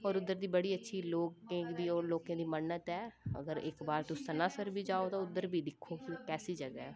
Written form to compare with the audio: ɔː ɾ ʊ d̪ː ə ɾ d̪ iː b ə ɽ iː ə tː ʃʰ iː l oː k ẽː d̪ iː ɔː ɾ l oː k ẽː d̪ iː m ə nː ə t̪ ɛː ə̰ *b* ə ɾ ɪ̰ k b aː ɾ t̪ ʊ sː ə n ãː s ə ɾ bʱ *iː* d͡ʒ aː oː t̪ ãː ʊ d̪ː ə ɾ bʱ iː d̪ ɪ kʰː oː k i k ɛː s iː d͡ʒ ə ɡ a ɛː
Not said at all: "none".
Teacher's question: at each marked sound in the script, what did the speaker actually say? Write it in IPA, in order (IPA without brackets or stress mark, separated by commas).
ɡ, iː